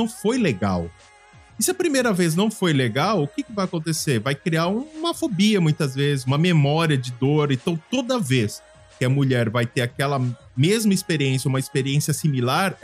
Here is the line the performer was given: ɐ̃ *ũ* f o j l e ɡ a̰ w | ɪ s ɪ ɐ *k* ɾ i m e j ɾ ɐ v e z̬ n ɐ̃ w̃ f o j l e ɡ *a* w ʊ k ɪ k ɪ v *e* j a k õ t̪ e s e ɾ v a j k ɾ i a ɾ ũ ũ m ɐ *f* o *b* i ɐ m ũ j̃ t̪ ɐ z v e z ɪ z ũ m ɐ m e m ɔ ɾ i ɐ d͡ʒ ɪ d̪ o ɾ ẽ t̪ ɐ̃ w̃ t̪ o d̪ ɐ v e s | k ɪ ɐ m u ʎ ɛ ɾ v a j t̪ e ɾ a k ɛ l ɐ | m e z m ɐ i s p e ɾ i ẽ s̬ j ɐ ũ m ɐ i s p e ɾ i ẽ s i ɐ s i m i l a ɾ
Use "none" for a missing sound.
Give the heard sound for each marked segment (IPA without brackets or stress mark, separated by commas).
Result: w̃, p, a, a, f, b